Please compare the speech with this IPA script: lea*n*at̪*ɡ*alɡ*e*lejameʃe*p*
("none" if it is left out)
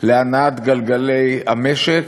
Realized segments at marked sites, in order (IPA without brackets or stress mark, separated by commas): n, ɡ, a, k